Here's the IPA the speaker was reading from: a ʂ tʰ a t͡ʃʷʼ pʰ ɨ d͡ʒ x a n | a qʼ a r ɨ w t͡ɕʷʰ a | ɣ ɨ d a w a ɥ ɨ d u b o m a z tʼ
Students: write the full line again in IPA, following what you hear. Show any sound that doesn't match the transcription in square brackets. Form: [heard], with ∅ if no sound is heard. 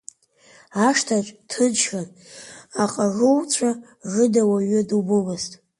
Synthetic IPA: a ʂ tʰ a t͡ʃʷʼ [tʰ] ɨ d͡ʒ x a n | a qʼ a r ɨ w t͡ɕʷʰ a | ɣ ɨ d a w a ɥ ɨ d u b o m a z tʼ